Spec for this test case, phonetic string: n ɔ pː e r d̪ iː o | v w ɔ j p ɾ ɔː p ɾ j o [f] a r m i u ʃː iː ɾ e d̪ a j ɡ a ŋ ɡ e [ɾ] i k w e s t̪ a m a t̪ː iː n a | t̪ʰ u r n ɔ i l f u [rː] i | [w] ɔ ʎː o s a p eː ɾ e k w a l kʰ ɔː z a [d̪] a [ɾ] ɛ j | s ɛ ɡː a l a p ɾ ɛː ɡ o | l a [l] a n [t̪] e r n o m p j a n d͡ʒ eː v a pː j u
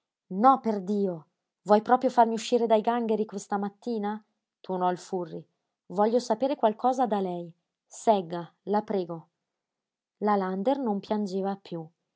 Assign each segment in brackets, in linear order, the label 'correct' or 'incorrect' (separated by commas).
correct, correct, correct, incorrect, correct, incorrect, correct, incorrect